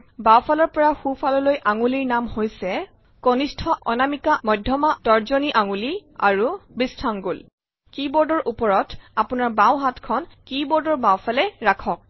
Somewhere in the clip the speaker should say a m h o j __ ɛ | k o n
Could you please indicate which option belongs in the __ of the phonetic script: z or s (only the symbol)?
s